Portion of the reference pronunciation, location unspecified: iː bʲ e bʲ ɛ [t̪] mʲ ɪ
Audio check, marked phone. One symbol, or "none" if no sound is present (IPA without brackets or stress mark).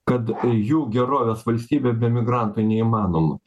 none